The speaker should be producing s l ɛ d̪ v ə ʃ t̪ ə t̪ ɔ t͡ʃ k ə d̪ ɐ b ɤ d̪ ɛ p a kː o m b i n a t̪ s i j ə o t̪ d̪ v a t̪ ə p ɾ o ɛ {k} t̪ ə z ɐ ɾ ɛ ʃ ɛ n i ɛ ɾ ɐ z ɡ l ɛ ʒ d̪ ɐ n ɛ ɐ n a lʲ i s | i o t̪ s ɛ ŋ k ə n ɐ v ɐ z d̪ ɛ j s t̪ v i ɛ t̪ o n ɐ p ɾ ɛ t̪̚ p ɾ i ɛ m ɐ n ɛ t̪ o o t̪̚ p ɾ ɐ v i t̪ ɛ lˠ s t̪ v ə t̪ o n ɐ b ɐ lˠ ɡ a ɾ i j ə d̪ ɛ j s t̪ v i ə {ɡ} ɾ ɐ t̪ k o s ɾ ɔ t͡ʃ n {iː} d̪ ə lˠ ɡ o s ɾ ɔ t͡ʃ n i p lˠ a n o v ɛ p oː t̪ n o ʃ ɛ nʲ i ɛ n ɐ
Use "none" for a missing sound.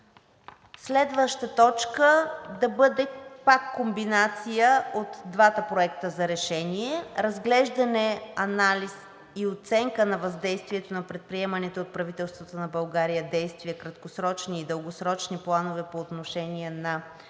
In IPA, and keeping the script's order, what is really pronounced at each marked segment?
k, k, iː

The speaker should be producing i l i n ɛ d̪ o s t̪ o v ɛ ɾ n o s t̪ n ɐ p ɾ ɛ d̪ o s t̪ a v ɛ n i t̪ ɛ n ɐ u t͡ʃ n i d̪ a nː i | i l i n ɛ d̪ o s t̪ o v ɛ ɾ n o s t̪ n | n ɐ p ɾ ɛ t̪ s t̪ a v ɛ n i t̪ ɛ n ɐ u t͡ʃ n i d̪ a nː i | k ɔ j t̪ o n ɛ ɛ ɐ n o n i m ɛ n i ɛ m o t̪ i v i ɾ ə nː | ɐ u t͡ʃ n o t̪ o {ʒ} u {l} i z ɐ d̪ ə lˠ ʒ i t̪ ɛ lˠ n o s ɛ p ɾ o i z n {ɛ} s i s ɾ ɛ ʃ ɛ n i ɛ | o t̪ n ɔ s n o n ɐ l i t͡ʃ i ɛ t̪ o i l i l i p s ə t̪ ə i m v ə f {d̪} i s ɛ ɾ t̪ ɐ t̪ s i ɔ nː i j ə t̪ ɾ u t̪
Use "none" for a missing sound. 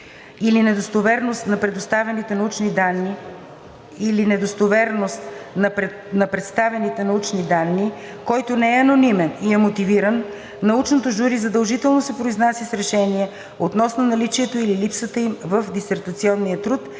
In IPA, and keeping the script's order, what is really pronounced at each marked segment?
ʒ, ɾ, a, d̪

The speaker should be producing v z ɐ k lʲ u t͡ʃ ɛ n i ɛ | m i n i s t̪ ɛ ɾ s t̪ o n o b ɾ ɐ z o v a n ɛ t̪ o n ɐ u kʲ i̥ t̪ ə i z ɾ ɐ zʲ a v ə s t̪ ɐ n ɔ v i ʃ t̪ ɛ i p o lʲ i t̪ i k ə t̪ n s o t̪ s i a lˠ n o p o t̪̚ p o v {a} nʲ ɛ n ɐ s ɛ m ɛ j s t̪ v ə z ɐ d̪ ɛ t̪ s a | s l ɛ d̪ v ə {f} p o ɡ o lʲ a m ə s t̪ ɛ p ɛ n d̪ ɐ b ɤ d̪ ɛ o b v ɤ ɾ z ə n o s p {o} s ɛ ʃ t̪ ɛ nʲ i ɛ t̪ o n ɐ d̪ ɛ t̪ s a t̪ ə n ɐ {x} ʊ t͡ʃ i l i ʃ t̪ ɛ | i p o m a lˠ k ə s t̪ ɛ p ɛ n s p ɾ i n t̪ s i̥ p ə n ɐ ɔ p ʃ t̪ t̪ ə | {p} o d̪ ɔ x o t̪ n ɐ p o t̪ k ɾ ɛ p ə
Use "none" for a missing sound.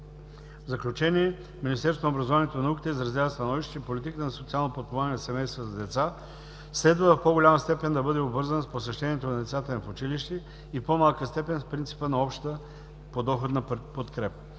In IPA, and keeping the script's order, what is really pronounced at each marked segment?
a, f, o, f, p

